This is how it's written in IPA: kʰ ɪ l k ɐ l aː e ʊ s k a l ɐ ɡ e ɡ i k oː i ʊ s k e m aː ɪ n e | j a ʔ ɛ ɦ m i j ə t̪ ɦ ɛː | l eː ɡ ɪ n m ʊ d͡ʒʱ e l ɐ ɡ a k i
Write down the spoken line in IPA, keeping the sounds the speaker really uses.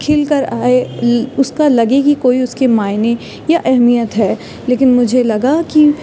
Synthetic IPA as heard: kʰ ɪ l k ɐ ɾ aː e ʊ s k a l ɐ ɡ e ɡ i k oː i ʊ s k e m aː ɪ n e | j a ʔ ɛ ɦ m i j ə t̪ ɦ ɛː | l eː k ɪ n m ʊ d͡ʒʱ e l ɐ ɡ a k i